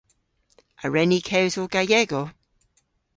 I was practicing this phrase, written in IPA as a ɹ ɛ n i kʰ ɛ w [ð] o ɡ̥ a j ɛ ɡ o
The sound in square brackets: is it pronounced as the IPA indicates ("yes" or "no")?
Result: no